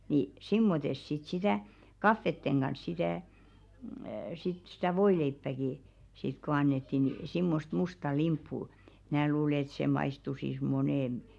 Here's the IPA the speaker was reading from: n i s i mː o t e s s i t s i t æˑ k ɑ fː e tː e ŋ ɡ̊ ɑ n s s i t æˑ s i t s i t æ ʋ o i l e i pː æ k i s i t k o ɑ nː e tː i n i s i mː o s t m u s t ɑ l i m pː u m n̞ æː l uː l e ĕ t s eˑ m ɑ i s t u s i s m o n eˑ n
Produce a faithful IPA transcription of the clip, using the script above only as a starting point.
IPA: n i s i mː o t e s s i t s i t æˑ k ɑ fː e tː e ŋ ɡ̊ ɑ n s s i t æˑ s i t s i t æ ʋ o i l e i pː æ k i s i t k o ɑ nː e tː i n i s i mː o s t m u s t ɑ l i m pː u m n̞ æː l uː l e ĕ t s eˑ m ɑ i s t u s i s m o n eˑ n